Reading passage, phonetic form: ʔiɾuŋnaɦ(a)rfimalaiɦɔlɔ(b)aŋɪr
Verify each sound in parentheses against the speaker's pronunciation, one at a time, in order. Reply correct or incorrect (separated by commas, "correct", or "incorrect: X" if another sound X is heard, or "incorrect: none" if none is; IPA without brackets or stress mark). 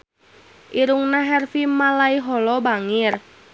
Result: incorrect: ɛ, correct